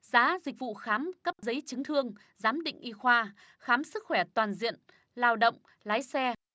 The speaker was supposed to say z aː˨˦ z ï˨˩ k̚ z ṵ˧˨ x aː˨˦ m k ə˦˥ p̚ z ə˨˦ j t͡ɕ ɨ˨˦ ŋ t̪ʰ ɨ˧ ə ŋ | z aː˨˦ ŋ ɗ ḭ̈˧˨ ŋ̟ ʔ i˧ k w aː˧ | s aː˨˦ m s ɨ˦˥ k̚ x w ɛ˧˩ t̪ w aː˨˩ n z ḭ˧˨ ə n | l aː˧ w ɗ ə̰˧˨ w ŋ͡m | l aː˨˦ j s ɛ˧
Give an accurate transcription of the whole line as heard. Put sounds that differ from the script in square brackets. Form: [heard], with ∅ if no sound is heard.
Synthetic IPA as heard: z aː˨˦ z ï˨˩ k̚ [v] ṵ˧˨ x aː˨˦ m k ə˦˥ p̚ z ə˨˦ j t͡ɕ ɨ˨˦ ŋ t̪ʰ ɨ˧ ə ŋ | z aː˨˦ [m] ɗ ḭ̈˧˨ ŋ̟ ʔ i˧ [x] w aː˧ | [x] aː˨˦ m s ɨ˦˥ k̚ x w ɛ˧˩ t̪ w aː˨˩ n z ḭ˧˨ ə n | l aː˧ w ɗ ə̰˧˨ w ŋ͡m | l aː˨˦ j s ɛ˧